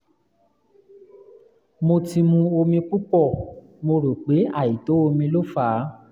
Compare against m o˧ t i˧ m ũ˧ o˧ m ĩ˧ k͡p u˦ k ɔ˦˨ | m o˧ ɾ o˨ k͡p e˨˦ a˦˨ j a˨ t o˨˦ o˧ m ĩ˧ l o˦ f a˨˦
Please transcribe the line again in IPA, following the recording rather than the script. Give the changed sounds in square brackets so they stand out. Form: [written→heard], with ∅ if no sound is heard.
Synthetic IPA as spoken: m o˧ t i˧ m ũ˧ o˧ m ĩ˧ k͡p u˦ [k→k͡p] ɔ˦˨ | m o˧ ɾ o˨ k͡p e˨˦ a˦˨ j [a˨→i˨] t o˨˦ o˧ m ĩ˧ l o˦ f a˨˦